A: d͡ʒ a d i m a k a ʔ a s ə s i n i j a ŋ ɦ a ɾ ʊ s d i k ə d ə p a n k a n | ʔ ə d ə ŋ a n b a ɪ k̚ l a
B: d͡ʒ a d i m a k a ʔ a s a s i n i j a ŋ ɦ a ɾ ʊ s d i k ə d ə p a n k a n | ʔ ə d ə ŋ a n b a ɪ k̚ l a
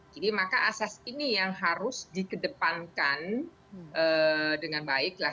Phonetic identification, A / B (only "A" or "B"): B